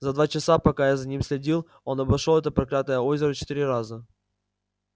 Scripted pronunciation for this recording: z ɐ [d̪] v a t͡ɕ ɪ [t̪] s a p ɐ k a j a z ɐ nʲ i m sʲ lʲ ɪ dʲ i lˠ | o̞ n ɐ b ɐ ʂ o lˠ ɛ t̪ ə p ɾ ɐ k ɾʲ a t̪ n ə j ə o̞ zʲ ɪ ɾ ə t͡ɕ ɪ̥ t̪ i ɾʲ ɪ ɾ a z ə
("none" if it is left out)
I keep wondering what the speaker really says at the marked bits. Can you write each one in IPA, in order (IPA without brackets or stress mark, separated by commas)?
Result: d̪, none